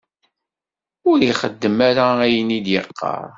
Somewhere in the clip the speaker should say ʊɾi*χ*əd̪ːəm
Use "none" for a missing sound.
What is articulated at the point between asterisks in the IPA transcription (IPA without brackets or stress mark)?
χ